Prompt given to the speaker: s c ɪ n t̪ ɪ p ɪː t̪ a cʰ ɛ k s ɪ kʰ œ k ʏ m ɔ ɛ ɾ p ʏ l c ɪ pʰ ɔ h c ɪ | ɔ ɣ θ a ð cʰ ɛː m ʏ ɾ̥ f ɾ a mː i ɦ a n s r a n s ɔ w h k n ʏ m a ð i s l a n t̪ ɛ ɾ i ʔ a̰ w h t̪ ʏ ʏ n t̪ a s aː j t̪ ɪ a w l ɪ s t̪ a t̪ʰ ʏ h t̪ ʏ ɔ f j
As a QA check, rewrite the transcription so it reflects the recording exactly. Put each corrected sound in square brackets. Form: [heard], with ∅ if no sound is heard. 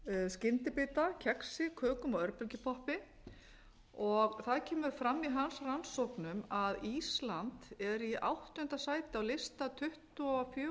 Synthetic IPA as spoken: s c ɪ n t̪ ɪ p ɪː t̪ a cʰ ɛ k s ɪ kʰ [œː] k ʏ m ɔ [œ] ɾ p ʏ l c ɪ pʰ ɔ h [p] ɪ | ɔ ɣ θ a ð cʰ ɛː m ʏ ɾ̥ f ɾ a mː i ɦ a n s r a n s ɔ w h k n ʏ m a ð i s l a n t̪ ɛ ɾ i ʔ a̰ w h t̪ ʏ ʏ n t̪ a s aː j t̪ ɪ a w l ɪ s t̪ a t̪ʰ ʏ h t̪ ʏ ɔ f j